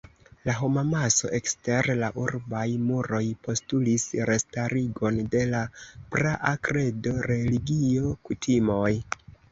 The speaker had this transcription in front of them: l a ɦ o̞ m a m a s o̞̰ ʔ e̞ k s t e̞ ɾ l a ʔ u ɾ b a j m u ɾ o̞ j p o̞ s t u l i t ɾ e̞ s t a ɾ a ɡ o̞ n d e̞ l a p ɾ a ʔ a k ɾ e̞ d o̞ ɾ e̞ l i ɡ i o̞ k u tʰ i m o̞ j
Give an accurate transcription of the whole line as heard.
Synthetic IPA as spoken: l a ɦ o̞ m a m a s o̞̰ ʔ e̞ k s t e̞ ɾ l a ʔ u ɾ b a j m u ɾ o̞ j p o̞ s t u l i s ɾ e̞ s t a ɾ i ɡ o̞ n d e̞ l a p ɾ a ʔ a k ɾ e̞ d o̞ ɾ e̞ l i ɡ i o̞ k u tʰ i m o̞ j